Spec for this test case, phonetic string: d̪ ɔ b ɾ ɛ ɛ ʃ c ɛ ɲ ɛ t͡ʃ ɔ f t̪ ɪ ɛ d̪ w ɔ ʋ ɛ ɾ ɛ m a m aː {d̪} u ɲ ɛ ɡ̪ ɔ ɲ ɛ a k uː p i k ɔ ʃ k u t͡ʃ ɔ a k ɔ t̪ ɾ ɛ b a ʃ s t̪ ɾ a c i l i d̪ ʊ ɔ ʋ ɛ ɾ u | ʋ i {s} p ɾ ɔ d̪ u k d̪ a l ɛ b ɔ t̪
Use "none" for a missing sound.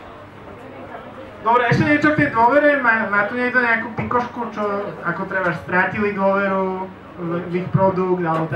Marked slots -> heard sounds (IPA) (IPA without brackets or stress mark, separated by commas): t̪, x